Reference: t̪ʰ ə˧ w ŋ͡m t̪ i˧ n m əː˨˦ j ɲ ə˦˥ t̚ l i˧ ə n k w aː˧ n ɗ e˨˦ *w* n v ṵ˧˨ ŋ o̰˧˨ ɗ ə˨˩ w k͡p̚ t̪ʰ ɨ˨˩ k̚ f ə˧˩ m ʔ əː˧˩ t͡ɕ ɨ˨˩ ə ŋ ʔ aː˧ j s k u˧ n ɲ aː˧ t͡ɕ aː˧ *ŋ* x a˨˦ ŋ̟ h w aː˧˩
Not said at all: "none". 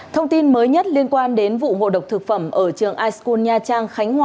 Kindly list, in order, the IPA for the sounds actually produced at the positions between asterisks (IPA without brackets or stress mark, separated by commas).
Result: none, ŋ